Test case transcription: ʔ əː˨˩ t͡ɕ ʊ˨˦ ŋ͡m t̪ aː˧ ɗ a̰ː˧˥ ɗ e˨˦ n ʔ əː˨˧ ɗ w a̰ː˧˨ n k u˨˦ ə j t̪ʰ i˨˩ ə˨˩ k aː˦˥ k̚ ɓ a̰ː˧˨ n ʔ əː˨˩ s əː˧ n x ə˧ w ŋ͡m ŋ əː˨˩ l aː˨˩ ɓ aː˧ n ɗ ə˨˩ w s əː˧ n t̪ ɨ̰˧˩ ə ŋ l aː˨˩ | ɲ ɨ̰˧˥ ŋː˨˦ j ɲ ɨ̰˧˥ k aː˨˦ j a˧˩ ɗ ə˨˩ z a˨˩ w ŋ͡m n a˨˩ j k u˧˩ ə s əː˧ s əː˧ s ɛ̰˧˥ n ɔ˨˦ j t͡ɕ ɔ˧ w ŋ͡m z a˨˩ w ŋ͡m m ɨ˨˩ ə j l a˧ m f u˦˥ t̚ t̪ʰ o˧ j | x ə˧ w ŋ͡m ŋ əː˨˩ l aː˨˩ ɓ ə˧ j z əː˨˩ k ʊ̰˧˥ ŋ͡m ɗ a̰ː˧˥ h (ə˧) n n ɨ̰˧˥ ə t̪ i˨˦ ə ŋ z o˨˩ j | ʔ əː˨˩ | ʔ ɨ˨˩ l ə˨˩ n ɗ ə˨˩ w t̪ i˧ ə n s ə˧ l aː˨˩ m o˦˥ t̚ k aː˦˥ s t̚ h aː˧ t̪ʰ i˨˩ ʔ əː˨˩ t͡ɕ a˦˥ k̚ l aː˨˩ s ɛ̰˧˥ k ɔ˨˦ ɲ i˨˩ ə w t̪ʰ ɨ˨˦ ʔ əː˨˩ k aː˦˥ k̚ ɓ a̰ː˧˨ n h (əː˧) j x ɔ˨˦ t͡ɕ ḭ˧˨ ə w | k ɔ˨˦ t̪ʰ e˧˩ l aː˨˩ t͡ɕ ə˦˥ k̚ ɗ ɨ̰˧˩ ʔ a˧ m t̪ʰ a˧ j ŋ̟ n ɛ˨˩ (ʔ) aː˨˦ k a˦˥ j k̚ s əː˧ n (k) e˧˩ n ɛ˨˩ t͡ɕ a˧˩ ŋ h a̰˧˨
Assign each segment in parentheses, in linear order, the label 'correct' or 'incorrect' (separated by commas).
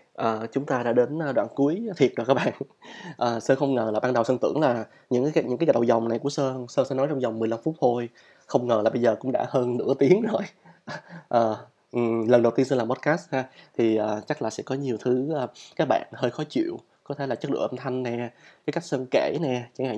incorrect, correct, incorrect, correct